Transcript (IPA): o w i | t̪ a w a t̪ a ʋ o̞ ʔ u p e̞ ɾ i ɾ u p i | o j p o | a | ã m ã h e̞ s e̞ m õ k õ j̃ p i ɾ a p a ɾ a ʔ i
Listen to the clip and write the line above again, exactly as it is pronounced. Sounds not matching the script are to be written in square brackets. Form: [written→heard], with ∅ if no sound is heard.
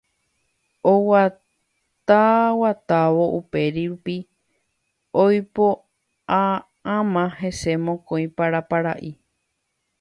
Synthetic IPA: o w [i→a] | t̪ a w a t̪ a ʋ o̞ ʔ u p e̞ ɾ i ɾ u p i | o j p o | a | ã m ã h e̞ s e̞ m õ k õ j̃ p [i→a] ɾ a p a ɾ a ʔ i